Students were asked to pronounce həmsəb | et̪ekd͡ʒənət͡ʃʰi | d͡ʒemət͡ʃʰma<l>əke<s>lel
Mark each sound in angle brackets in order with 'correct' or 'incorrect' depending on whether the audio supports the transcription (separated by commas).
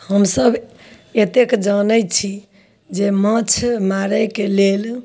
incorrect, incorrect